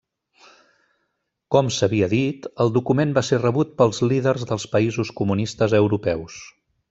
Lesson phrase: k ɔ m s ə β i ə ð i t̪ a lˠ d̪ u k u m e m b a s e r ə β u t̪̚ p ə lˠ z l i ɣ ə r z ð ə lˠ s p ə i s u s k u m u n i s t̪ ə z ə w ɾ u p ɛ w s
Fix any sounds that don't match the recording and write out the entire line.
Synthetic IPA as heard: k ɔ m s ə β i ə ð i t̪ ə lˠ d̪ u k u m e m b a s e r ə β u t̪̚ p ə lˠ z l i ð ə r z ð ə lˠ s p ə i z u s k u m u n i s t̪ ə z ə w ɾ u p ɛ w s